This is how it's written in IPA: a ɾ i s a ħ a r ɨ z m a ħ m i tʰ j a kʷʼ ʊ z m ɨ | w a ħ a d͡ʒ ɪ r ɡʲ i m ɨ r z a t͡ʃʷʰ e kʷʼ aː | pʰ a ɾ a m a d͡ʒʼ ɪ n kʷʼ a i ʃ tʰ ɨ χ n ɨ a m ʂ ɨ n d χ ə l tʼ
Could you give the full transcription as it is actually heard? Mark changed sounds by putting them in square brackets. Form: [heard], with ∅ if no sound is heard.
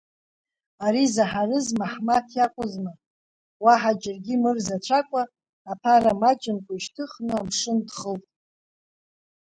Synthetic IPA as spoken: a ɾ i [z] a ħ a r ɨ z m a ħ m [a] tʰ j a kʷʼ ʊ z m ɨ | w a ħ a d͡ʒ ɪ r ɡʲ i m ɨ r z a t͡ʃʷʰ [a] kʷʼ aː | pʰ a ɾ a m a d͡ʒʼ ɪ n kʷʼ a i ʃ tʰ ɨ χ n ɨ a m ʂ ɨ n d χ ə l tʼ